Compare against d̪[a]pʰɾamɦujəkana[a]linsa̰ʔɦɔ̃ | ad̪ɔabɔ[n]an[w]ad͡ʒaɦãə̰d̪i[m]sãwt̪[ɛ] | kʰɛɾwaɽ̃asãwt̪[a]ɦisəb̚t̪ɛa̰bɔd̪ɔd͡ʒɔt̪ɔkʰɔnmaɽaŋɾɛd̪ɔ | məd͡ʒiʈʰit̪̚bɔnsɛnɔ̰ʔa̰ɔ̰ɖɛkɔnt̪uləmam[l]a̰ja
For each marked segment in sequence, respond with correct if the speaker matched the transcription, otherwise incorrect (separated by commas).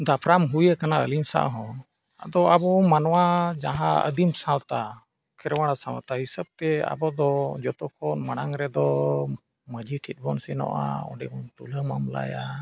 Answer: correct, incorrect, incorrect, correct, correct, incorrect, correct, correct